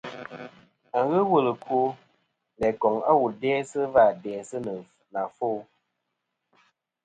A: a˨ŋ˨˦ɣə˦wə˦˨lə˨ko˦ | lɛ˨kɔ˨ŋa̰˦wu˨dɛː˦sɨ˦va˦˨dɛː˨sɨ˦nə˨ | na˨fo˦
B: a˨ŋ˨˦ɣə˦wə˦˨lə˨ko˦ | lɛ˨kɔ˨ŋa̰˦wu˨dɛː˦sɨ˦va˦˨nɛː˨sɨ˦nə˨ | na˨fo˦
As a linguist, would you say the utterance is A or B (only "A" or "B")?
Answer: A